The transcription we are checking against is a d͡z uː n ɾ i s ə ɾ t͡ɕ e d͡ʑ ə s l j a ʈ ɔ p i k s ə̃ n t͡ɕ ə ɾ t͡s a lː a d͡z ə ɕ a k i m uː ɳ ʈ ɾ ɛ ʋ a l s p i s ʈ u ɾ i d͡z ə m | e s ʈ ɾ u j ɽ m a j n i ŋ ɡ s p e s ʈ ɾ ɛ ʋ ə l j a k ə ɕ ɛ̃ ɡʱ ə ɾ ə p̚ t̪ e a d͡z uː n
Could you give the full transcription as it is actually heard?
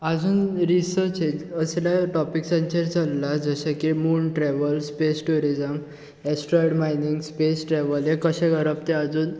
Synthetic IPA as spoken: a d͡z uː n ɾ i s ə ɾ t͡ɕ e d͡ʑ ə s l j a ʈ ɔ p i k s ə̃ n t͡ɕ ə ɾ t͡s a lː a d͡z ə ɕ a k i m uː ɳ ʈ ɾ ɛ ʋ ə l s p e s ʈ u ɾ i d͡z ə m | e s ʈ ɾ ɔ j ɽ m a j n i ŋ ɡ s p e s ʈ ɾ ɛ ʋ ə l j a k ə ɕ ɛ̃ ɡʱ ə ɾ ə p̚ t̪ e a d͡z uː n